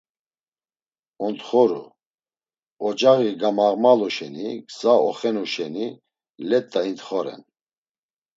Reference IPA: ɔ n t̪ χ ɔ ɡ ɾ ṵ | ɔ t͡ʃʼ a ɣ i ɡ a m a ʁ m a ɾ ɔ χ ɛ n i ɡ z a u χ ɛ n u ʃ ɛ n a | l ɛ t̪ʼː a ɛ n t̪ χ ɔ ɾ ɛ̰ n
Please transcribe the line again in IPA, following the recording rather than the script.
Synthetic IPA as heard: ɔ n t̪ χ ɔ ɾ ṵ | ɔ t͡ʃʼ a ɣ i ɡ a m a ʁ m a l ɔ ʃ ɛ n i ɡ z a ɔ χ ɛ n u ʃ ɛ n i | l ɛ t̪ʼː a i n t̪ χ ɔ ɾ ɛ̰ n